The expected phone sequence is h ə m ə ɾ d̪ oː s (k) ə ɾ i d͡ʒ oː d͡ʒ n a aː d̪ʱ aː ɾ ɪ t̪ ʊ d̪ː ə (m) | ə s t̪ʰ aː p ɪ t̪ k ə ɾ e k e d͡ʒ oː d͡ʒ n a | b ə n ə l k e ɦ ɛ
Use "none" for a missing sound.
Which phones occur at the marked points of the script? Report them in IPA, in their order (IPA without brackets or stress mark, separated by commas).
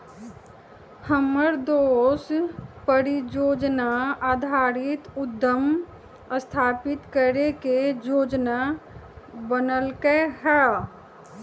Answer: p, m